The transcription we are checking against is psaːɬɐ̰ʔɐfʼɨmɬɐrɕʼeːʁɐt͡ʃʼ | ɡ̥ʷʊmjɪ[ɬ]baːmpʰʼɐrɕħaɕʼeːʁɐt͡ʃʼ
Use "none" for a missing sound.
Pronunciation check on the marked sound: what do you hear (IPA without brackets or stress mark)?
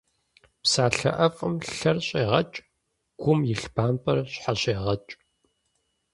ɬ